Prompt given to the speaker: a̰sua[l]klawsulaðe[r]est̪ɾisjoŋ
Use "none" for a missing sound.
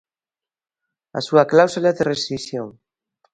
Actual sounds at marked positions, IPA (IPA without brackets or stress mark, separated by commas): none, r